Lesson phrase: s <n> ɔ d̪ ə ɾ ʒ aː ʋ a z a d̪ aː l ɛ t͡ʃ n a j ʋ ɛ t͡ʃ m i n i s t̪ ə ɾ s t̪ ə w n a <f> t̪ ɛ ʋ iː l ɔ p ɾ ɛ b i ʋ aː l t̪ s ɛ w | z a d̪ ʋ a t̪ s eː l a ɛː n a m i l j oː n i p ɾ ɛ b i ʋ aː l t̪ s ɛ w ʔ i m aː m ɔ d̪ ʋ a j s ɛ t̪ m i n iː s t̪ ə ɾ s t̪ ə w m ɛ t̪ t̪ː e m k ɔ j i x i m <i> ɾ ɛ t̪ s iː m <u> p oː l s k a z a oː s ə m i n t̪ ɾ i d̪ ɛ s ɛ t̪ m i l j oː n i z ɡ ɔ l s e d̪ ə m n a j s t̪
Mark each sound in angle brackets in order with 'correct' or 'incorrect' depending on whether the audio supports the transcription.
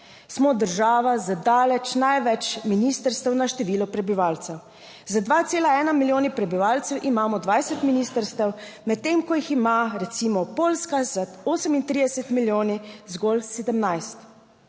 incorrect: m, incorrect: ʃ, incorrect: a, incorrect: ɔ

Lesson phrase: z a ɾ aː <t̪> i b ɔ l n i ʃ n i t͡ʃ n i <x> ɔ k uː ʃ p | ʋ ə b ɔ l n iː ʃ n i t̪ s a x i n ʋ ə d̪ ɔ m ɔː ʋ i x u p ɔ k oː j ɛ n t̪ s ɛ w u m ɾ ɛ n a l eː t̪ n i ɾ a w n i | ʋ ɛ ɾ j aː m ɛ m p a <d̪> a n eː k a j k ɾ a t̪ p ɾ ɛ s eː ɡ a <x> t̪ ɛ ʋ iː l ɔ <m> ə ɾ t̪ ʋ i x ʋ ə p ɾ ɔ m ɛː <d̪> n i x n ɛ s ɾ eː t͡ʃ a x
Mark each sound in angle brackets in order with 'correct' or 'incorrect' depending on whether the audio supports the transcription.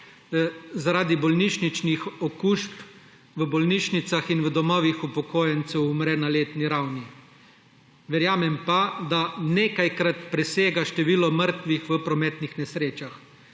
incorrect: d̪, correct, correct, incorrect: ʃ, correct, incorrect: t̪

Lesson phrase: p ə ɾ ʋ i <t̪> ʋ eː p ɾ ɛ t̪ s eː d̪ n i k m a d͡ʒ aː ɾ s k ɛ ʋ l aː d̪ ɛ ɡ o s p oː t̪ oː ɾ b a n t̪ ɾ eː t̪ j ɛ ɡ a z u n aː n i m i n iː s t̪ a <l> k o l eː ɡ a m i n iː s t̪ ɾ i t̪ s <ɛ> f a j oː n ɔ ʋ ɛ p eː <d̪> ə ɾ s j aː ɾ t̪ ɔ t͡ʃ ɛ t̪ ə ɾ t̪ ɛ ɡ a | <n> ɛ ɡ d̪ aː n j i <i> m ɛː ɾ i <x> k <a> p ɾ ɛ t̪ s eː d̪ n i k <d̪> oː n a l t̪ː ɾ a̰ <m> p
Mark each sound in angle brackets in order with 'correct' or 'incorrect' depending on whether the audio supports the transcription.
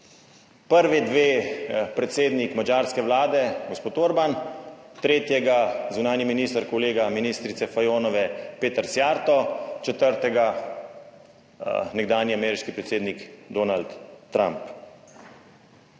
incorrect: d̪, incorrect: ɾ, correct, incorrect: t̪, correct, incorrect: a, incorrect: ʃ, incorrect: i, correct, correct

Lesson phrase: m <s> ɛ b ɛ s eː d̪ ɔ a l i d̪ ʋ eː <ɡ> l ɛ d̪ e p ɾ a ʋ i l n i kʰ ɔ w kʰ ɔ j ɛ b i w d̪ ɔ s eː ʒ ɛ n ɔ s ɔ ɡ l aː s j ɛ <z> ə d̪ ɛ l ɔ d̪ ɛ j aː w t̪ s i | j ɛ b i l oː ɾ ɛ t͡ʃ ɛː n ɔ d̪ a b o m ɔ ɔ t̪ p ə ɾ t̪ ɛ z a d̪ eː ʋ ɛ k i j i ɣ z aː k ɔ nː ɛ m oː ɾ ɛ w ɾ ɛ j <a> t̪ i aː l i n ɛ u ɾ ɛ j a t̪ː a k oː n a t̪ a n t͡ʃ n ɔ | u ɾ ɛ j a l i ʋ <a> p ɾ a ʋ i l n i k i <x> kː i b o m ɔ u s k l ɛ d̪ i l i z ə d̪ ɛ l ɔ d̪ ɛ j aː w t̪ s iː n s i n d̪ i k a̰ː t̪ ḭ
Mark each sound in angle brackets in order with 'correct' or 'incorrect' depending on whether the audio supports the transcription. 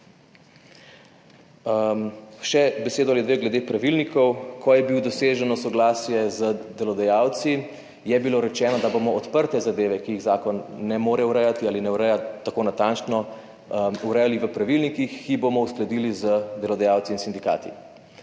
incorrect: ʃ, correct, correct, correct, incorrect: ə, correct

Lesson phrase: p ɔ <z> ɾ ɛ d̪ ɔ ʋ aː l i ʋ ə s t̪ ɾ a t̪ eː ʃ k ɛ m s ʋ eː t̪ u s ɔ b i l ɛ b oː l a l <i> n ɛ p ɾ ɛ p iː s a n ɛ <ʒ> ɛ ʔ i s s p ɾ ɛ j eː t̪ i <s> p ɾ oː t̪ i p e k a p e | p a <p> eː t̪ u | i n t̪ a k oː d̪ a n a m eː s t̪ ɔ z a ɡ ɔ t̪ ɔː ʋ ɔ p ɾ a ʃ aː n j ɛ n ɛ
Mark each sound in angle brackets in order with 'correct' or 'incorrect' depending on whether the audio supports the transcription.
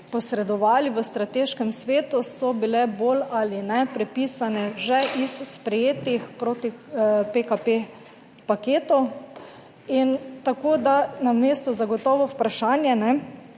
incorrect: s, correct, correct, incorrect: x, incorrect: k

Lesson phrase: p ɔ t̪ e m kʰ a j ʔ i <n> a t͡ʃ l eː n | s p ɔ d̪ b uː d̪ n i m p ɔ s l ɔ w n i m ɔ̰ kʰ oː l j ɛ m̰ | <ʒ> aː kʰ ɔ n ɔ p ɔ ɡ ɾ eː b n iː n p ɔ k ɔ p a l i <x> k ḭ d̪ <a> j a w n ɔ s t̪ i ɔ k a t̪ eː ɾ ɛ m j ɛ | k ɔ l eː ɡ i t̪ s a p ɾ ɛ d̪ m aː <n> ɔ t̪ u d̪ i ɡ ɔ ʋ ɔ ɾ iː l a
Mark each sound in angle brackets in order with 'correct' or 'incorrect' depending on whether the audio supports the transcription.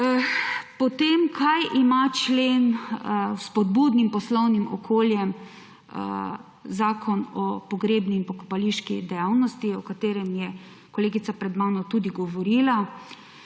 incorrect: m, incorrect: z, incorrect: ʃ, incorrect: ɛ, correct

